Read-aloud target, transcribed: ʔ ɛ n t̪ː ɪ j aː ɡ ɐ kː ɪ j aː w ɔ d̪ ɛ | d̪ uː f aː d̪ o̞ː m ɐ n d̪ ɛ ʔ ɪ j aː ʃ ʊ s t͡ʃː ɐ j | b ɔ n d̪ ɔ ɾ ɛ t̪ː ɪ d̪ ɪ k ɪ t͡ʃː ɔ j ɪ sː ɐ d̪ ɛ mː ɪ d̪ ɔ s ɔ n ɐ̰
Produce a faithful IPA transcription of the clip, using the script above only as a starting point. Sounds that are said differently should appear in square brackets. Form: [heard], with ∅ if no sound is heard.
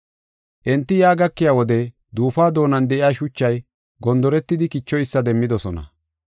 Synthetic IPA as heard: ʔ ɛ n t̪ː ɪ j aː ɡ ɐ kː ɪ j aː w ɔ d̪ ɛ | d̪ uː f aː d̪ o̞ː [n] ɐ n d̪ ɛ ʔ ɪ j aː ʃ ʊ [∅] t͡ʃː ɐ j | [ɡ] ɔ n d̪ ɔ ɾ ɛ t̪ː ɪ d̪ ɪ k ɪ t͡ʃː ɔ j ɪ sː ɐ d̪ ɛ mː ɪ d̪ ɔ s ɔ n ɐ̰